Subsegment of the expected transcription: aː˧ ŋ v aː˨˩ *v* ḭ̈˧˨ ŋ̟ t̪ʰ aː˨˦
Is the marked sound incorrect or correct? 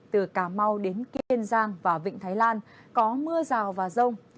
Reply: correct